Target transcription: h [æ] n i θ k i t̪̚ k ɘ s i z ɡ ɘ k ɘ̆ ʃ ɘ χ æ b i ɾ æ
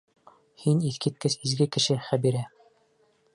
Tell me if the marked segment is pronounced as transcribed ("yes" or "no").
no